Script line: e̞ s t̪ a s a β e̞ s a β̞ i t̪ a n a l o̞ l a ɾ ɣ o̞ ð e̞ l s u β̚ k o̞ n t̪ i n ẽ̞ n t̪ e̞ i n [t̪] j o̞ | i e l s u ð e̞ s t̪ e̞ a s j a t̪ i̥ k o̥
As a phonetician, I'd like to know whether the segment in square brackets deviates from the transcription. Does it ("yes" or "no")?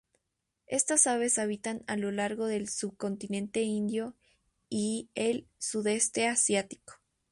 yes